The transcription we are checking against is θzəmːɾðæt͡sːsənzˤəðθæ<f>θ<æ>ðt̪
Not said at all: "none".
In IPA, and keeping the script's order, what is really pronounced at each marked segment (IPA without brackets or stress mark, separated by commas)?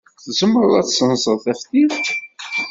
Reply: f, i